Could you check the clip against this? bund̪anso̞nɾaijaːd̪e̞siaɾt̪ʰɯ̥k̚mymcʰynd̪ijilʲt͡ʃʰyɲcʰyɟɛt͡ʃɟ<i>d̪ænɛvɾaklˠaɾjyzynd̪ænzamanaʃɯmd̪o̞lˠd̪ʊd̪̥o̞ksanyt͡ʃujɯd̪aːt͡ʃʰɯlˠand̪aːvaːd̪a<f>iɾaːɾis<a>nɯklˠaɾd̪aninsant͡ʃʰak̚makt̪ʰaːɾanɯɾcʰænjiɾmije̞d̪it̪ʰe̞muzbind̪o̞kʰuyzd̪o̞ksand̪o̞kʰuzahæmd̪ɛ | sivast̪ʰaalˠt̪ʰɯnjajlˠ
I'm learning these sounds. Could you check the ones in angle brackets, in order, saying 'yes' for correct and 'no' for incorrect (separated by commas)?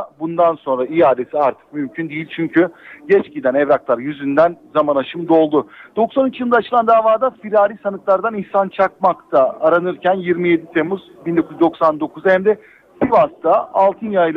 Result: yes, yes, yes